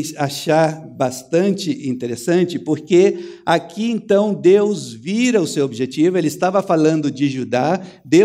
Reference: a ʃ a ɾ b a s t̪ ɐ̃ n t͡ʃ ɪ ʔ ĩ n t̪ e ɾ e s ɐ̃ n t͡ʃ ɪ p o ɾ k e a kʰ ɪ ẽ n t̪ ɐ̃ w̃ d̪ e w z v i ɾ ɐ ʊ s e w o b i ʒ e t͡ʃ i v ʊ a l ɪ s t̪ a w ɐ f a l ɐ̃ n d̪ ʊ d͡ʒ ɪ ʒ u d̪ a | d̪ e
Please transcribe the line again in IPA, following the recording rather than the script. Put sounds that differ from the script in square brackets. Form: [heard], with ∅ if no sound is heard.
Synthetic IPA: a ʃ a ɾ b a s t̪ ɐ̃ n t͡ʃ ɪ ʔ ĩ n t̪ e ɾ e s ɐ̃ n t͡ʃ ɪ p o ɾ k e a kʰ [i] ẽ n t̪ ɐ̃ w̃ d̪ e w z v i ɾ ɐ ʊ s e w o b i ʒ e t͡ʃ i v ʊ [e] l ɪ s t̪ a [v] ɐ f a l ɐ̃ n d̪ ʊ d͡ʒ ɪ ʒ u d̪ a | d̪ e